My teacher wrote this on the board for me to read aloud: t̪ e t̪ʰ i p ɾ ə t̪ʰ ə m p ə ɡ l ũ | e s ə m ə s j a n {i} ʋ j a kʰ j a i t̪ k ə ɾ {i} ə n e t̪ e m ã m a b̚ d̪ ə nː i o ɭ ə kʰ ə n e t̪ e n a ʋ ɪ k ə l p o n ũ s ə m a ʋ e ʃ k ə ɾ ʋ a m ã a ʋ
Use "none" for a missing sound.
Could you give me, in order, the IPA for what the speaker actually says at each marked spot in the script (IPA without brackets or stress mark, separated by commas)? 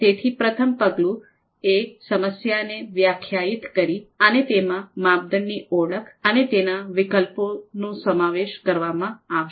e, i